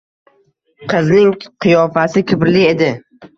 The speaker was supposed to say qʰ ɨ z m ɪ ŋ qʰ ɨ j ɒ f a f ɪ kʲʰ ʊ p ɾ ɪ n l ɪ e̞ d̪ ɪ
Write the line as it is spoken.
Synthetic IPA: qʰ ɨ z n ɪ ŋ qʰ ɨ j ɒ f a s ɪ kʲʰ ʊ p ɾ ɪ l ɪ e̞ d̪ ɪ

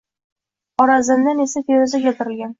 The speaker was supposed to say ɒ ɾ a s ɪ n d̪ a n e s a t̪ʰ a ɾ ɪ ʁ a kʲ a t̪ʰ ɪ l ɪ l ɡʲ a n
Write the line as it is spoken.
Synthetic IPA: ɒ ɾ a z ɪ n d̪ a n e s a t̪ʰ e ɾ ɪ z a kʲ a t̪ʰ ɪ ɾ ɪ l ɡʲ a n

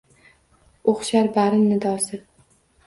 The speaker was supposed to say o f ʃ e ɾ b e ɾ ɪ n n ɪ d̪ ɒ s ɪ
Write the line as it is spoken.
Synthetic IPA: o χ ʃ a ɾ b a ɾ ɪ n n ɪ d̪ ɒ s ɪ

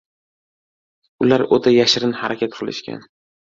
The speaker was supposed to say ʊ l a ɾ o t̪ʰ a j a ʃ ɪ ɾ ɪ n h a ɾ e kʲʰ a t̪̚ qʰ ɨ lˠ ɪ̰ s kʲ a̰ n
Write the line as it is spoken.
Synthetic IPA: ʊ l a ɾ o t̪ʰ a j a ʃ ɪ ɾ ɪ n h a ɾ a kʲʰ a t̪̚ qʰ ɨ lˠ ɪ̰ ʃ kʲ a̰ n

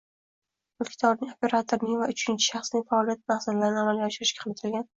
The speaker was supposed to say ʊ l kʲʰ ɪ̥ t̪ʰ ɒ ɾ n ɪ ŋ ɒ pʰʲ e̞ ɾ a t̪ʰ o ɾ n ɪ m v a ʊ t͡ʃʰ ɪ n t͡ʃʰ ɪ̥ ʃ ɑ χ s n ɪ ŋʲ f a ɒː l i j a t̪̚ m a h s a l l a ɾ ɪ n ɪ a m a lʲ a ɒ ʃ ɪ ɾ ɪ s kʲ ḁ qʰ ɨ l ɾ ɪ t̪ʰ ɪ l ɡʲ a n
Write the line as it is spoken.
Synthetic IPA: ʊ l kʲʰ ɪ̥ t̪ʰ ɒ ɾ n ɪ ŋ o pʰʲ e̞ ɾ a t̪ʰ o ɾ n ɪ ŋ v a ʊ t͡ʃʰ ɪ n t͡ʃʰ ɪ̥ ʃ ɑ χ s n ɪ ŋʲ f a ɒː l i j a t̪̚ m a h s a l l a ɾ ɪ n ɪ a m a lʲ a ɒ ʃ ɪ ɾ ɪ ʃ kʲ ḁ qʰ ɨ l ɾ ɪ t̪ʰ ɪ l ɡʲ a n

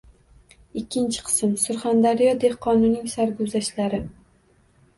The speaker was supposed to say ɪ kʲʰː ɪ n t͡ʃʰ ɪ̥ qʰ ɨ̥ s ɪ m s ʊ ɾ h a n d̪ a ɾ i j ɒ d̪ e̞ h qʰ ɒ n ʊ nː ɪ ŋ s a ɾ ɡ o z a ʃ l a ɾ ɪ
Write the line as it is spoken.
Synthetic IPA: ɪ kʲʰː ɪ n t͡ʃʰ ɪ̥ qʰ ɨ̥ s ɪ m s ʊ ɾ χ a n d̪ a ɾ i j ɒ d̪ e̞ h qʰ ɒ n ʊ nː ɪ ŋ s a ɾ ɡ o z a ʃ l a ɾ ɪ

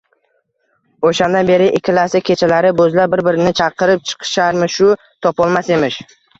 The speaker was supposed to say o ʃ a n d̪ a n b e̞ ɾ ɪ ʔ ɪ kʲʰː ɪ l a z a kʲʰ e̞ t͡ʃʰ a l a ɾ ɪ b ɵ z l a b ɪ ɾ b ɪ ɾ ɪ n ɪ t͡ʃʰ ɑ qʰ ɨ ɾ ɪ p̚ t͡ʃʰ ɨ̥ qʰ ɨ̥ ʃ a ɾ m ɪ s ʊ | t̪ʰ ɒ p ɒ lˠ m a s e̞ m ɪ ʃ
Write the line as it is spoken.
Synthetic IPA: o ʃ a n d̪ a n b e̞ ɾ ɪ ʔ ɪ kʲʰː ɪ l a s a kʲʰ e̞ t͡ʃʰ a l a ɾ ɪ b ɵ z l a b ɪ ɾ b ɪ ɾ ɪ n ɪ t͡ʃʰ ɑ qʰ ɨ ɾ ɪ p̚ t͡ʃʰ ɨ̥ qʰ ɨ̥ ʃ a ɾ m ɪ ʃ ʊ | t̪ʰ ɒ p ɒ lˠ m a s e̞ m ɪ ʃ

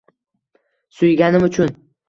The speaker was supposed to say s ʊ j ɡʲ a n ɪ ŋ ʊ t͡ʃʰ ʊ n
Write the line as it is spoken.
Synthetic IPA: s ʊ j ɡʲ a n ɪ m ʊ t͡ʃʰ ʊ n

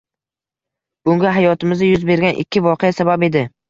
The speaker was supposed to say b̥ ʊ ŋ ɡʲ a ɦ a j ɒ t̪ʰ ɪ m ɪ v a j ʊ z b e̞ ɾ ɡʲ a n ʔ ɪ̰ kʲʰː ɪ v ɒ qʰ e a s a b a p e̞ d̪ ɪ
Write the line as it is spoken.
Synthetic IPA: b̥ ʊ ŋ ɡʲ a ɦ a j ɒ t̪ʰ ɪ m ɪ z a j ʊ z b e̞ ɾ ɡʲ a n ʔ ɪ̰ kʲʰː ɪ v ɒ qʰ e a s a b a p e̞ d̪ ɪ

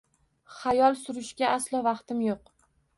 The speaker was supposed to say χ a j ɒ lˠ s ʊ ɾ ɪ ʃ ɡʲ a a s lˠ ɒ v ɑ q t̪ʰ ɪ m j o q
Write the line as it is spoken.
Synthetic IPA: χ a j ɒ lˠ s ʊ ɾ ɪ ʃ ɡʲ a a s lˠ ɒ v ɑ q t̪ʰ ɪ m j o q

